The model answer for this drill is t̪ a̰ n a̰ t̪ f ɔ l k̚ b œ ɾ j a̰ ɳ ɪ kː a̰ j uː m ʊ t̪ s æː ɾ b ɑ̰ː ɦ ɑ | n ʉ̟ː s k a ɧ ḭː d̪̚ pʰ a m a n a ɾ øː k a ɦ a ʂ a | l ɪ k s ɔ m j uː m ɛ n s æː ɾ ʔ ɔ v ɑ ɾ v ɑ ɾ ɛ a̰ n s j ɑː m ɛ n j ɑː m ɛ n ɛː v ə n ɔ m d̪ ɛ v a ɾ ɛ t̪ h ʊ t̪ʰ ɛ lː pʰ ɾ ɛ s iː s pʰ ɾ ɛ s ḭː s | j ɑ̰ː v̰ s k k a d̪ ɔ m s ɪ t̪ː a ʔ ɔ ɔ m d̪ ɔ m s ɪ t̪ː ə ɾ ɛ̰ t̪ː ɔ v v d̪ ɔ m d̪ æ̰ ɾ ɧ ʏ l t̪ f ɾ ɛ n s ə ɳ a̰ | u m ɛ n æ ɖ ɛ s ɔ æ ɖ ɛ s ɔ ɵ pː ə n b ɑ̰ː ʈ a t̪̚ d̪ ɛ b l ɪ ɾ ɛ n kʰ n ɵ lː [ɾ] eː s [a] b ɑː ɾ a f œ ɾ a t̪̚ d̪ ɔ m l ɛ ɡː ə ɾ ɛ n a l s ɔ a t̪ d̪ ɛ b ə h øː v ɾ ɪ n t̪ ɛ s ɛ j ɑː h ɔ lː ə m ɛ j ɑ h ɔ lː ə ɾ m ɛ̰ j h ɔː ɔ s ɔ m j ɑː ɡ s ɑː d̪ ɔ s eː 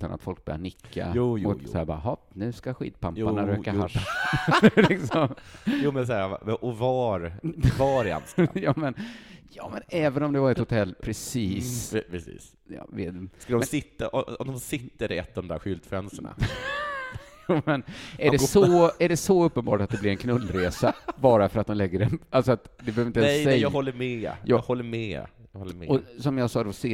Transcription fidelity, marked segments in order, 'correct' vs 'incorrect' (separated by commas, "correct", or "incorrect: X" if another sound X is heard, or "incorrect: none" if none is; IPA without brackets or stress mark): correct, correct